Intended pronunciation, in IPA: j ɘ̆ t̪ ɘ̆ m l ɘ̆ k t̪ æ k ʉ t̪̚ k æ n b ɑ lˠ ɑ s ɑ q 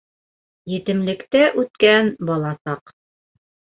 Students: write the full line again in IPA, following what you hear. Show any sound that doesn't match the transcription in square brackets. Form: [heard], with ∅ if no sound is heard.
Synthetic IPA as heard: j ɘ̆ t̪ ɘ̆ m l ɘ̆ k t̪ æ [ʔ] ʉ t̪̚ k æ n b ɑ lˠ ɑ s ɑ q